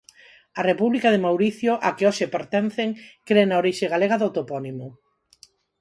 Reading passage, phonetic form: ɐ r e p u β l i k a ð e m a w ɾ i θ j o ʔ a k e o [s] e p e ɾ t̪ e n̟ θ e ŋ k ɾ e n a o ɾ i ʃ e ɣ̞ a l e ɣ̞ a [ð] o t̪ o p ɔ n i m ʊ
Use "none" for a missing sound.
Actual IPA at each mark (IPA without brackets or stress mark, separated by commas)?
ʃ, ð